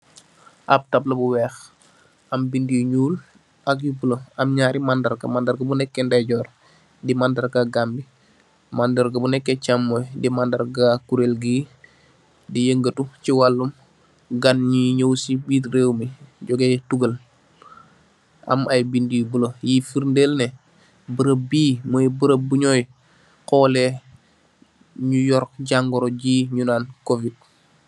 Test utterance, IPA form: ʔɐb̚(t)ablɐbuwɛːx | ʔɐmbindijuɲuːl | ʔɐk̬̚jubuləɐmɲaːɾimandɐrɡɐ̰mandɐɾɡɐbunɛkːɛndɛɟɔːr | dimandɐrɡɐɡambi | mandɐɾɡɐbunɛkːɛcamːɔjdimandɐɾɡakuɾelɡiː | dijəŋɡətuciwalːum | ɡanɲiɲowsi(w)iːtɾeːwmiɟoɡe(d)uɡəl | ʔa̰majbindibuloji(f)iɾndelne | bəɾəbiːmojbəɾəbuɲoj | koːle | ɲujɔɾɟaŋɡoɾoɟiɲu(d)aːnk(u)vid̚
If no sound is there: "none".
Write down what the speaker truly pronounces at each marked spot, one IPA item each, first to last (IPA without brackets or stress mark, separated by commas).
t, b, t, f, n, o